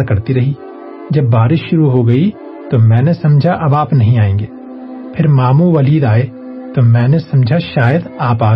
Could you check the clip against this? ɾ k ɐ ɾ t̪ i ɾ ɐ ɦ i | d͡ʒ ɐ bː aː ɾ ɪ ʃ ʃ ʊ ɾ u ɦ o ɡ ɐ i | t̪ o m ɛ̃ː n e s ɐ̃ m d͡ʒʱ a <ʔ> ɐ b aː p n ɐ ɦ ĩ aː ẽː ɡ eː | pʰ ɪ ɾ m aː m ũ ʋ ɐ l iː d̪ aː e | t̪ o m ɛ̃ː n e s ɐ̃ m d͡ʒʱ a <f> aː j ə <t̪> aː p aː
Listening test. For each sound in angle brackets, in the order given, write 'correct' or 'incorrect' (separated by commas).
correct, incorrect, incorrect